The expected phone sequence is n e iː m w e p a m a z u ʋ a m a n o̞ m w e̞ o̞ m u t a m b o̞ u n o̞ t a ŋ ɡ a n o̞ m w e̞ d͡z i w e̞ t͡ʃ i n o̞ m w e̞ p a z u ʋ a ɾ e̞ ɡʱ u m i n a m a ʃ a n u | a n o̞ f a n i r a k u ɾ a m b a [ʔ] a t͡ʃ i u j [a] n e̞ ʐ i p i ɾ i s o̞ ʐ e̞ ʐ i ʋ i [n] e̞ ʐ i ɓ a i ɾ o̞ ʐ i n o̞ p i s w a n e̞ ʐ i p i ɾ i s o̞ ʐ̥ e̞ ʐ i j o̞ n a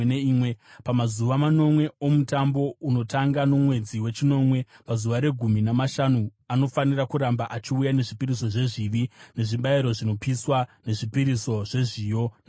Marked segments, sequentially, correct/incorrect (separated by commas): correct, correct, correct